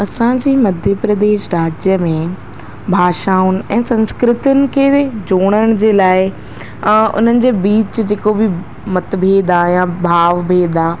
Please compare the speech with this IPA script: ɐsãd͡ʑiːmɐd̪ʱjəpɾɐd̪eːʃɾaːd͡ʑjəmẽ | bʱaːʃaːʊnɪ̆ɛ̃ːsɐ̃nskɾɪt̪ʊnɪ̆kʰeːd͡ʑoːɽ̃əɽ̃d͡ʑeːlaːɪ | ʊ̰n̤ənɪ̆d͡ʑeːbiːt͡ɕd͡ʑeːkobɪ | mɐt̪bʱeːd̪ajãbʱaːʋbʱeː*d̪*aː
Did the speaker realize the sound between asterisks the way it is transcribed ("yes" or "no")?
yes